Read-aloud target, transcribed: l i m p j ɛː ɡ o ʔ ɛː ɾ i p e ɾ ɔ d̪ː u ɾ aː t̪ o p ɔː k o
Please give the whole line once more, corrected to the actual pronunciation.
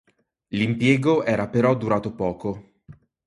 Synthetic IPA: l i m p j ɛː ɡ o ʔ ɛː ɾ a p e ɾ ɔ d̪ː u ɾ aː t̪ o p ɔː k o